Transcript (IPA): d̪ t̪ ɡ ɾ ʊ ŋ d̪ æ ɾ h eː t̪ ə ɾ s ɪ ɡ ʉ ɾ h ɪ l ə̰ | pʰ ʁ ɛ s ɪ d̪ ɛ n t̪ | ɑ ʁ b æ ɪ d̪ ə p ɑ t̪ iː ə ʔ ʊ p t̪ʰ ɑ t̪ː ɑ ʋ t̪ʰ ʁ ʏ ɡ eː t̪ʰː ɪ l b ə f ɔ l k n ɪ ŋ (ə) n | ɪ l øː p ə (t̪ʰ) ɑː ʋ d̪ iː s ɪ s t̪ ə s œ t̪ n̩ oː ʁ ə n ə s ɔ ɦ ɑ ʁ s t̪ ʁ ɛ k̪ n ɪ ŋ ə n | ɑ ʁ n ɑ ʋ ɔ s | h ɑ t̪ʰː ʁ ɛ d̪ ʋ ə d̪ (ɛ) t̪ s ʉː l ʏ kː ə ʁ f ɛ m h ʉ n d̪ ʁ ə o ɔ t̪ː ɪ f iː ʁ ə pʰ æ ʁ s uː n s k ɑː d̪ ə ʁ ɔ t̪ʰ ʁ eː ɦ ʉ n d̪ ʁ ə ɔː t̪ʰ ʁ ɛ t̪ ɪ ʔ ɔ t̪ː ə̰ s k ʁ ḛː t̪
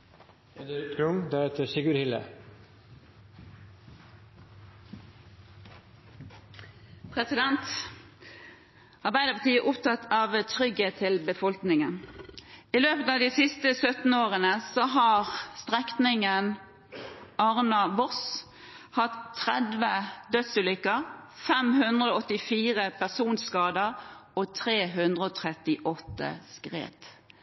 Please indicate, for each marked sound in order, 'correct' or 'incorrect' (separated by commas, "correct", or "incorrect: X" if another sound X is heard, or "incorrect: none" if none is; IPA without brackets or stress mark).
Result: correct, incorrect: t̪, incorrect: œ